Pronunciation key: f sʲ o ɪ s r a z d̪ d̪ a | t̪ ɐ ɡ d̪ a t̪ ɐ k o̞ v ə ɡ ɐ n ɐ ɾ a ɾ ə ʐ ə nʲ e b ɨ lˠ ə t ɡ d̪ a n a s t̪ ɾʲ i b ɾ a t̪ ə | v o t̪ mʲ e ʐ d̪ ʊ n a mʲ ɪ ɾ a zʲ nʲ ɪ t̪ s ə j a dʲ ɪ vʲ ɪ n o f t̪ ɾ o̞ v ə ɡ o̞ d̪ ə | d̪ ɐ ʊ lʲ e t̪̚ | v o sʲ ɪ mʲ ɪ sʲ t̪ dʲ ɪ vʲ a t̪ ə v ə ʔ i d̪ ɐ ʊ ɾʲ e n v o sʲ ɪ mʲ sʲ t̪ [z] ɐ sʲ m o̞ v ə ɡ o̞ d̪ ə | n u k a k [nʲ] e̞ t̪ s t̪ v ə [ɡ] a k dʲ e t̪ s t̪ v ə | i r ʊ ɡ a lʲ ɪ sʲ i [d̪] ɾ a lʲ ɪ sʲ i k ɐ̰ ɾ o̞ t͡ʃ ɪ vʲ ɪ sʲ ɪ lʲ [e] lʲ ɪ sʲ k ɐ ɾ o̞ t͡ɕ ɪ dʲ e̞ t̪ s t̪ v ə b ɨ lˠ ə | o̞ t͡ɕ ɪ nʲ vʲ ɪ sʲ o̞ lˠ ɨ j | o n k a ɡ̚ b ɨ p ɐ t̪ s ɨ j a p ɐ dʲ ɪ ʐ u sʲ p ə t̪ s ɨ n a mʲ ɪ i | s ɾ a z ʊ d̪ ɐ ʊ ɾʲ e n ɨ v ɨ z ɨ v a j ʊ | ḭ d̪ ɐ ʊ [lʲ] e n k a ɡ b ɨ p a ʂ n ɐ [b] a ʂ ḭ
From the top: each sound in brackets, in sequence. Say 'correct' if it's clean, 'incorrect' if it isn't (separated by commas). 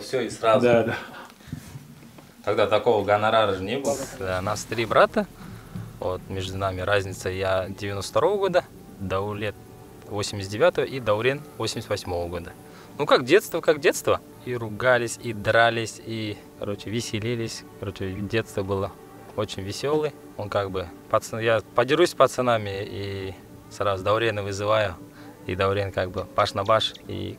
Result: incorrect, incorrect, incorrect, correct, incorrect, incorrect, correct